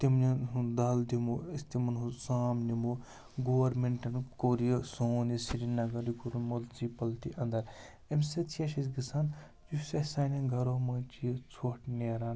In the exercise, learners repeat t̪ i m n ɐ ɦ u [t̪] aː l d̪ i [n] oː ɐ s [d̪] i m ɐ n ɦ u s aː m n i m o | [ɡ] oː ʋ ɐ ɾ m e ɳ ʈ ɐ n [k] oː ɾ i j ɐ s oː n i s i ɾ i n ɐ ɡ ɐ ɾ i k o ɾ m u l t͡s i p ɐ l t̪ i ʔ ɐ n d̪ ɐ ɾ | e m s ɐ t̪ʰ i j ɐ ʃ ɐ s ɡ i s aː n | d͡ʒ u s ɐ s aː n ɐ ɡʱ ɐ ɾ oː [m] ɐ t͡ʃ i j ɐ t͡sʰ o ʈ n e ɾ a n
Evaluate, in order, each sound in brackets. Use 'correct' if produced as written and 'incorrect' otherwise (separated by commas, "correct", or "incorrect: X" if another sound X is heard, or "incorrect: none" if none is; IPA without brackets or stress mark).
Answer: incorrect: d̪, incorrect: m, incorrect: t̪, correct, correct, correct